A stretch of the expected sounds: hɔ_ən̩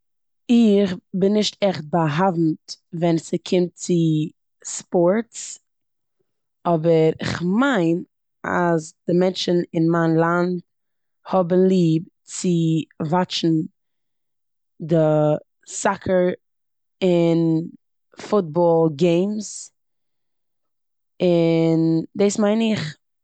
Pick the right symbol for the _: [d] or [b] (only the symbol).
b